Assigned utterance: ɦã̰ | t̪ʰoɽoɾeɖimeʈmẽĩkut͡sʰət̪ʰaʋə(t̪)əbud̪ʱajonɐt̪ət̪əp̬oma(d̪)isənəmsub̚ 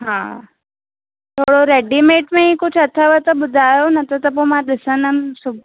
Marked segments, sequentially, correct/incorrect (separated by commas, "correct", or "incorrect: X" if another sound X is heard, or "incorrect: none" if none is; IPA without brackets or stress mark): correct, correct